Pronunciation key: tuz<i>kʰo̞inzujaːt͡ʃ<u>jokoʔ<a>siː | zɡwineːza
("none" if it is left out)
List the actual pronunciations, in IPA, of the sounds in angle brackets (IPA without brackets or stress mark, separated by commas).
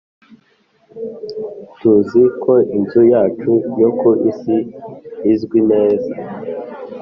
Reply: i, u, i